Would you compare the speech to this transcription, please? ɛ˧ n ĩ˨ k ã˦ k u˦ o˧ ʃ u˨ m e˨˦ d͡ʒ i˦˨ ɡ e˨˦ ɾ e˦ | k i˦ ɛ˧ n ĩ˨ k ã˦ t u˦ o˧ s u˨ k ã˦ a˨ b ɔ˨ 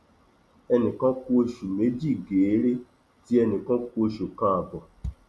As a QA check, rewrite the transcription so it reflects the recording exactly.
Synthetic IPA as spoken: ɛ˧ n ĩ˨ k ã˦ k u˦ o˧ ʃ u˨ m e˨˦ d͡ʒ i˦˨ ɡ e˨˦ ɾ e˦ | t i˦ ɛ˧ n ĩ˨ k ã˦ k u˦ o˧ ʃ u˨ k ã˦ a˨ b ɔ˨